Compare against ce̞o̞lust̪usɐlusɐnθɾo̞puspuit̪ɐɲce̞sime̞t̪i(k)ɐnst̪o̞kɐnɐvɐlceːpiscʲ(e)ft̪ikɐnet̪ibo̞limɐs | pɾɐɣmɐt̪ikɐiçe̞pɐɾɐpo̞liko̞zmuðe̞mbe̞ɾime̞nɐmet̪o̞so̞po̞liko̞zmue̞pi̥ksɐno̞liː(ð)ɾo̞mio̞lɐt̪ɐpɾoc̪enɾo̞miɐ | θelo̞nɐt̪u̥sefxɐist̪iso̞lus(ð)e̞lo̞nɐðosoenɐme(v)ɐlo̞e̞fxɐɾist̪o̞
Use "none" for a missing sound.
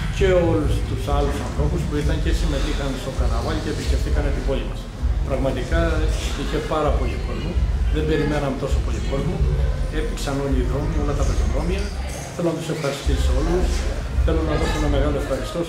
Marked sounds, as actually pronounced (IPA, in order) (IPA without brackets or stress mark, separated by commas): x, e, ð, θ, ɣ